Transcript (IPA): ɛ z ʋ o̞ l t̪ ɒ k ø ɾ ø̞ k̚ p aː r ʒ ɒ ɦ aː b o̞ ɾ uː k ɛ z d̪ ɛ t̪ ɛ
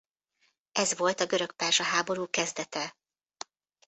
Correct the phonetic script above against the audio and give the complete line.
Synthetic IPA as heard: ɛ z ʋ o̞ l t̪ ɒ ɡ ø ɾ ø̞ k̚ p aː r ʒ ɒ ɦ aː b o̞ ɾ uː k ɛ z d̪ ɛ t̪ ɛ